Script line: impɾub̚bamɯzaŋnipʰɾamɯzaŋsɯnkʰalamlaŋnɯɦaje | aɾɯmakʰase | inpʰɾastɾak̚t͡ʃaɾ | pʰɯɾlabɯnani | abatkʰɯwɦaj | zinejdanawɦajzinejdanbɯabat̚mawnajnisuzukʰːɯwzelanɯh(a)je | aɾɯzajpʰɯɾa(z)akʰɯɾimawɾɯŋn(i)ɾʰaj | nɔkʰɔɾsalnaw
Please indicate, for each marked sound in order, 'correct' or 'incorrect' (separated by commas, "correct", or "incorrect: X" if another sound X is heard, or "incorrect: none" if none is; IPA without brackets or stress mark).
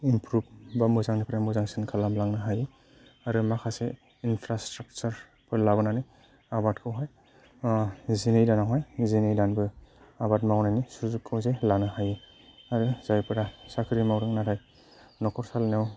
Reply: correct, incorrect: s, incorrect: a